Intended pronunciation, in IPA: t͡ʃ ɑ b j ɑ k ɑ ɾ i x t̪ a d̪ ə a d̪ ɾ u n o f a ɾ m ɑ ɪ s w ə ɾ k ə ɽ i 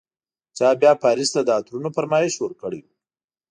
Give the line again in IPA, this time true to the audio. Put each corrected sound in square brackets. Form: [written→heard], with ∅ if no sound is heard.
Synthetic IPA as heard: t͡ʃ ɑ b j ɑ [k→p] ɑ ɾ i [x→s] t̪ a d̪ ə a [d̪→t̪] ɾ u n o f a ɾ m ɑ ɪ [s→ʃ] w ə ɾ k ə ɽ i

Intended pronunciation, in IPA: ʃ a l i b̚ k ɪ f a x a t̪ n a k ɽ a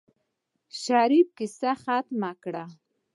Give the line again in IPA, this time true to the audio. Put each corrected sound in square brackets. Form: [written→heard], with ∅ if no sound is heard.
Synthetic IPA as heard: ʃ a [l→ɾ] i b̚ k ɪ [f→s] a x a t̪ [n→m] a k ɽ a

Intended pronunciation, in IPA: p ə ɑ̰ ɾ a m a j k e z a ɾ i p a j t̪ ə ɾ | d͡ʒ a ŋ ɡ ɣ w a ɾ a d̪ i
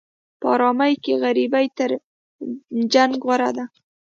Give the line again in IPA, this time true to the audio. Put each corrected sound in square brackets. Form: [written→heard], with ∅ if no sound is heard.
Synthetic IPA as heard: p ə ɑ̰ ɾ [a→ɑ] m a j k e [z→ɣ] a ɾ i [p→b] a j t̪ ə ɾ | d͡ʒ a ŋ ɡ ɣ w a ɾ a d̪ [i→a]

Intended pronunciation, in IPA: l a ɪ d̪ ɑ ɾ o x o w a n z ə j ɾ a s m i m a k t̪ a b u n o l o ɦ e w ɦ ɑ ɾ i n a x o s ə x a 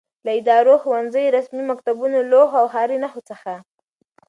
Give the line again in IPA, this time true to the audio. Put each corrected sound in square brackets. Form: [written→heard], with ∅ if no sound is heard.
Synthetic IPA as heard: l a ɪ d̪ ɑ ɾ o x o w a n z ə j ɾ a s m i m a k t̪ a b u n o l o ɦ [e→a] w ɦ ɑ ɾ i n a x o [s→t͡s] ə x a

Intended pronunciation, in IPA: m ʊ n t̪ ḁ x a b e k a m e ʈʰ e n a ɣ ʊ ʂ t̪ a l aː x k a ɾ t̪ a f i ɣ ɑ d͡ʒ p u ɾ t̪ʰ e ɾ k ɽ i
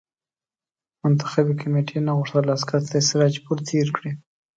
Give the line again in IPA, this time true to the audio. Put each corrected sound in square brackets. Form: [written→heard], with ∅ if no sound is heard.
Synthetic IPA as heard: m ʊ n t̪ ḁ x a b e k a m e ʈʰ e n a ɣ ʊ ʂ t̪ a l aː [x→s] k a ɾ t̪ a [f→s] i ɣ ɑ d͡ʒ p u ɾ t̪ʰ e ɾ k ɽ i

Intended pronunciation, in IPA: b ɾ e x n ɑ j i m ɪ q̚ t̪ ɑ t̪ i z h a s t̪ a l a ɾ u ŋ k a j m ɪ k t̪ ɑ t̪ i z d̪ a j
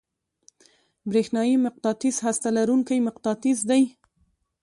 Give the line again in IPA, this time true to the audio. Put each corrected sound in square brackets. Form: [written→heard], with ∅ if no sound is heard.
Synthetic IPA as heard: b ɾ e x n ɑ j i m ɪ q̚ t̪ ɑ t̪ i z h a s t̪ a l a ɾ u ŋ k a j m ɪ [k→q] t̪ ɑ t̪ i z d̪ a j

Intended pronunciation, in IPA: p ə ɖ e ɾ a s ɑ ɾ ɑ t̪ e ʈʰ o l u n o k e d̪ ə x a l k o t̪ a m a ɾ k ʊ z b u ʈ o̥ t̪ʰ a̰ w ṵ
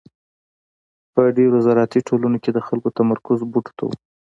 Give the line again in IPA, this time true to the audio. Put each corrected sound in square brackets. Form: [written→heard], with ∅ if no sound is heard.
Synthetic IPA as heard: p ə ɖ e ɾ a [s→z] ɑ ɾ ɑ t̪ [e→i] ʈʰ o l u n o k e d̪ ə x a l k o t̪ a m a ɾ k ʊ z b u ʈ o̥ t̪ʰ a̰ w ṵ

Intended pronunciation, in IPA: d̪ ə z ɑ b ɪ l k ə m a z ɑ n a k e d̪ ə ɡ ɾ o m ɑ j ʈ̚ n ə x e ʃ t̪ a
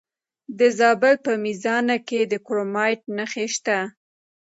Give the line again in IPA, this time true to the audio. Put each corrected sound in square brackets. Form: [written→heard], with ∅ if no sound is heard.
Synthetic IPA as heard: d̪ ə z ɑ b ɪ l [k→p] ə m [a→i] z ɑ n a k e d̪ ə [ɡ→k] ɾ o m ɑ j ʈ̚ n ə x e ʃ t̪ a

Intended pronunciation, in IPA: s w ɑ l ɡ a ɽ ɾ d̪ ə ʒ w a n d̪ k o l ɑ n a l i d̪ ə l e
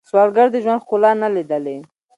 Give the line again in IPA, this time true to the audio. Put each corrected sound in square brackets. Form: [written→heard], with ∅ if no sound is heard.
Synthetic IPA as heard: s w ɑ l ɡ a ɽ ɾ d̪ ə ʒ w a n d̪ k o l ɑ n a l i d̪ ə l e

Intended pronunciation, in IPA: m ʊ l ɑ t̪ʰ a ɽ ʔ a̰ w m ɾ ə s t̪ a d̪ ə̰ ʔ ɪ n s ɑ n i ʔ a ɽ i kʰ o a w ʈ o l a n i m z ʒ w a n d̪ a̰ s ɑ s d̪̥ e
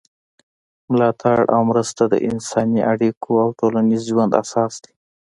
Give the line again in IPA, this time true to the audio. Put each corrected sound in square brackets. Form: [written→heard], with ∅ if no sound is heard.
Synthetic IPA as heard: m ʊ l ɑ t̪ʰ a ɽ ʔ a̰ w m ɾ ə s t̪ a d̪ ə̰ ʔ ɪ n s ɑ n i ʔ a ɽ i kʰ o a w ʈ o l a n i [m→∅] z ʒ w a n d̪ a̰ s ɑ s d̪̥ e

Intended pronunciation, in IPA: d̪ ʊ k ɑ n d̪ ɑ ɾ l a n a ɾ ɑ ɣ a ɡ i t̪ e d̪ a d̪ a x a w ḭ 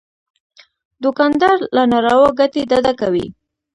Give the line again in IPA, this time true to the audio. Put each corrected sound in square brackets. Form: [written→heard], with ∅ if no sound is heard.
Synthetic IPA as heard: d̪ ʊ k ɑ n d̪ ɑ ɾ l a n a ɾ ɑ [ɣ→w] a ɡ [i→a] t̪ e d̪ a d̪ a [x→k] a w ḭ

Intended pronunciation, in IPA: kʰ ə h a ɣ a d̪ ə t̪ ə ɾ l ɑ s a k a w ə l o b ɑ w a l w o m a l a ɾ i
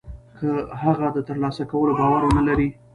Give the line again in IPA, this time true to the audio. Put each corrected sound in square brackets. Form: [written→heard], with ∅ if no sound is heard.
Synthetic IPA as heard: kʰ ə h a ɣ a d̪ ə t̪ ə ɾ l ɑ s a k a w ə l o b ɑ w a [l→ɾ] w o [m→n] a l a ɾ i

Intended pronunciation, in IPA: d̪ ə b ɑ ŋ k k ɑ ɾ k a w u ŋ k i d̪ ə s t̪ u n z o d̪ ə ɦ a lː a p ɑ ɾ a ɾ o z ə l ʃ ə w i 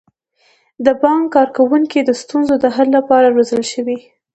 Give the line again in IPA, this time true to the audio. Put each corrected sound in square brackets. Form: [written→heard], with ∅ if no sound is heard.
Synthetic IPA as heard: d̪ ə b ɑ ŋ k k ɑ ɾ k a w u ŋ k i d̪ ə s t̪ u n z o d̪ ə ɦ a lː a p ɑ ɾ a ɾ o z ə l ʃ ə w i

